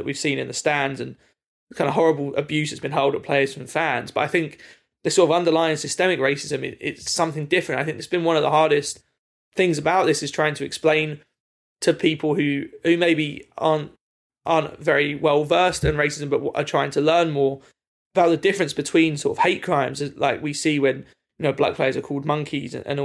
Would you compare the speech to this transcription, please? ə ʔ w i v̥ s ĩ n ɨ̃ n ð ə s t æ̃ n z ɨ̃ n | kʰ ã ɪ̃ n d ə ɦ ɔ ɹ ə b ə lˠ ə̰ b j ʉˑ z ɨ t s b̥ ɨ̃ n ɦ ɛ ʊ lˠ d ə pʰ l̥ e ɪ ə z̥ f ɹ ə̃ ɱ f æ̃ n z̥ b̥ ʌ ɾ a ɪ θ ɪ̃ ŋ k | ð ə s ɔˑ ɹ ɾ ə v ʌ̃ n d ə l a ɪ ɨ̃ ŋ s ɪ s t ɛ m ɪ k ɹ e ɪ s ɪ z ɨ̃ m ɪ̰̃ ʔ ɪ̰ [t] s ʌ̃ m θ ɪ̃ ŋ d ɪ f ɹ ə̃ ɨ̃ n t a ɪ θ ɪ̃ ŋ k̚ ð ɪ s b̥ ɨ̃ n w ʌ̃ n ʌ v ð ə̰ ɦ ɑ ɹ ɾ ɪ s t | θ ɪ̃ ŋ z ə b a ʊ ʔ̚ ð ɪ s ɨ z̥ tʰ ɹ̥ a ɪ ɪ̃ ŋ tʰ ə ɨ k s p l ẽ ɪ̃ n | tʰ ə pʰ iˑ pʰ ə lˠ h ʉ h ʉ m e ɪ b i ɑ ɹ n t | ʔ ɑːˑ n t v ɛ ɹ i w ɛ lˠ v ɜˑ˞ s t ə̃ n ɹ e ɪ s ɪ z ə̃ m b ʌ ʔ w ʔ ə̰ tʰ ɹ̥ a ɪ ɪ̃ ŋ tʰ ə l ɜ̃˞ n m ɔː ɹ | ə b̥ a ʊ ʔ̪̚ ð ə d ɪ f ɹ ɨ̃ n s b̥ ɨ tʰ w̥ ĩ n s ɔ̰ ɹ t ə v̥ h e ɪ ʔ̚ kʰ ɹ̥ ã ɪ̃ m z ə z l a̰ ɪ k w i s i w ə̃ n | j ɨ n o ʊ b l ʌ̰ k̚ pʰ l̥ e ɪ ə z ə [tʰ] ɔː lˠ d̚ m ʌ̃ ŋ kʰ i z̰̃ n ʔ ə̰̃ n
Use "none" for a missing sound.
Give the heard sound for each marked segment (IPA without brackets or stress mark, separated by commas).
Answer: t, kʰ